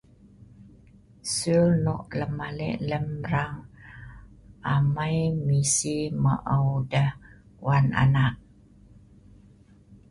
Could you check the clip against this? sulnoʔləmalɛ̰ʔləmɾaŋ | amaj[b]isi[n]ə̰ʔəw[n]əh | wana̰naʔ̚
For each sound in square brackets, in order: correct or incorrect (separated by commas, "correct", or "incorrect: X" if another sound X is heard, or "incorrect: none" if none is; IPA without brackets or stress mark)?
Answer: incorrect: m, incorrect: m, incorrect: d